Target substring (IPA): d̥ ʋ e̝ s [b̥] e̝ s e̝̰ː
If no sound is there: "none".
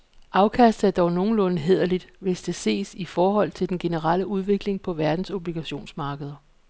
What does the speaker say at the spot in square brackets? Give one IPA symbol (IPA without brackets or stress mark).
d̥